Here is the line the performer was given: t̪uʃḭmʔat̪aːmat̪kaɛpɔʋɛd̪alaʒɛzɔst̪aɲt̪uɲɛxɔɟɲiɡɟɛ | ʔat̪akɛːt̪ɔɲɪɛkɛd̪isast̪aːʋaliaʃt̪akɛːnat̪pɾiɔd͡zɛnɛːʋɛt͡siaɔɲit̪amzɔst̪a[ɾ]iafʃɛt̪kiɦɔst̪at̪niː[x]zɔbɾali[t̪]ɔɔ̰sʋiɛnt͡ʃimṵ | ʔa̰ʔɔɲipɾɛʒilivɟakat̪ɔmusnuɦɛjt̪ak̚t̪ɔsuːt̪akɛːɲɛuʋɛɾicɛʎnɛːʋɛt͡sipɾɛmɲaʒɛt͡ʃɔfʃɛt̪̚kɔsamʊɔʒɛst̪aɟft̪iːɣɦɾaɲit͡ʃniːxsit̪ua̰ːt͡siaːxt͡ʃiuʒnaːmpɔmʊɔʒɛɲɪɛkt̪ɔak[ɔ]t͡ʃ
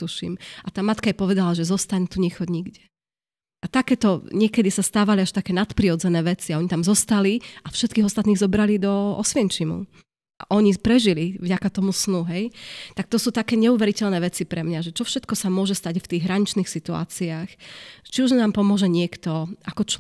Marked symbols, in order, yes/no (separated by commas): no, no, no, yes